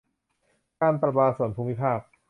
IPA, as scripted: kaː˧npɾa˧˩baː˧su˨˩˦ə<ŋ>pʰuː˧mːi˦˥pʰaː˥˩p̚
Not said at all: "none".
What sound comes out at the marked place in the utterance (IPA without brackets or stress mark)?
n